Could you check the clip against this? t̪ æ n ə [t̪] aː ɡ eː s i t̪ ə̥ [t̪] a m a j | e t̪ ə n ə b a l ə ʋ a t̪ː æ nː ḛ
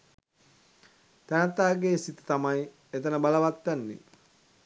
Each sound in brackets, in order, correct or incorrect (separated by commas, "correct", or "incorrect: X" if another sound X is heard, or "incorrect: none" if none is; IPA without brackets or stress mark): correct, correct